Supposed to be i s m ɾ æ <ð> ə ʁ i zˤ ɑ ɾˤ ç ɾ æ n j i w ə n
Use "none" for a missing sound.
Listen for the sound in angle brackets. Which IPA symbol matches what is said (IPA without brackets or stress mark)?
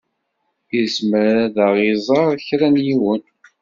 ð